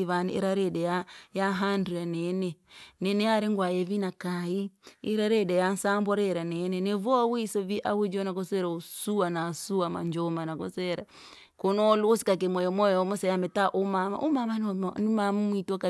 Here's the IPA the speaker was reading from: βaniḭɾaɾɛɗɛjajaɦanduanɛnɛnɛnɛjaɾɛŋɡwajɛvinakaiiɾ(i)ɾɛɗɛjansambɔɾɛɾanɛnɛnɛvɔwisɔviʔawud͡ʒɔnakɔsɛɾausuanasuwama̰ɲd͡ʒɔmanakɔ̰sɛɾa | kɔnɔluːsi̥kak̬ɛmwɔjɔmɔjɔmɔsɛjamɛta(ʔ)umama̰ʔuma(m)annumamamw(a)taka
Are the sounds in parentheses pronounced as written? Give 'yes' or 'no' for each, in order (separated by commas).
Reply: no, yes, yes, no